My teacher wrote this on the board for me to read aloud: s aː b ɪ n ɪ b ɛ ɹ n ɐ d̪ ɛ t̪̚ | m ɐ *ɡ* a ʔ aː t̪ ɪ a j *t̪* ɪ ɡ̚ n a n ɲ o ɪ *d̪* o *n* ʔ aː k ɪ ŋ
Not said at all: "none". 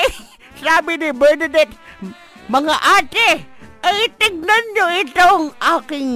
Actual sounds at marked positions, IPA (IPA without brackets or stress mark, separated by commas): ŋ, t̪, t̪, ŋ